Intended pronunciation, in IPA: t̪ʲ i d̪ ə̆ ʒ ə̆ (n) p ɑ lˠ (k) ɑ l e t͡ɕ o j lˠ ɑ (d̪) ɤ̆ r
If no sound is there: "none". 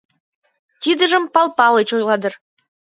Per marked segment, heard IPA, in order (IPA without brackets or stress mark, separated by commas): m, p, d̪